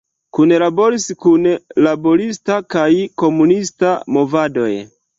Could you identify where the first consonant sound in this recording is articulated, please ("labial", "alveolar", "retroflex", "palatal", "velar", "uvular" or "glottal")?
velar